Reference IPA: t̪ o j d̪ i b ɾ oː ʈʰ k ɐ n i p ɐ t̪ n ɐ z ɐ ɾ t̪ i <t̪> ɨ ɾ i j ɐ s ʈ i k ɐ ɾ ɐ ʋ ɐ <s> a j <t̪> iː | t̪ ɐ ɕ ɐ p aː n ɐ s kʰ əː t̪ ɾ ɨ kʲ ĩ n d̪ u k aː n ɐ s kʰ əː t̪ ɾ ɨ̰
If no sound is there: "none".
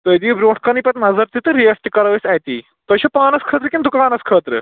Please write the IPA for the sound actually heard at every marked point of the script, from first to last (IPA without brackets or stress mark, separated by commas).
t̪, s, t̪